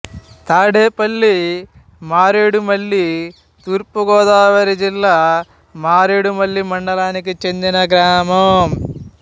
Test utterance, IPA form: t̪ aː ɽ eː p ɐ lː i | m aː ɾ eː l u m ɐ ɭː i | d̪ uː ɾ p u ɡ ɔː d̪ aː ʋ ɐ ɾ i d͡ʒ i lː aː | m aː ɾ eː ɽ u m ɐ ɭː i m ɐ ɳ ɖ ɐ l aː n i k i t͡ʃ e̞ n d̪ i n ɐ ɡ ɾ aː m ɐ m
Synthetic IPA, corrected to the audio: t̪ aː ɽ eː p ɐ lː i | m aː ɾ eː ɽ u m ɐ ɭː i | t̪ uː ɾ p u ɡ ɔː d̪ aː ʋ ɐ ɾ i d͡ʒ i lː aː | m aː ɾ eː ɽ u m ɐ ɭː i m ɐ ɳ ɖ ɐ l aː n i k i t͡ʃ e̞ n d̪ i n ɐ ɡ ɾ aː m ɐ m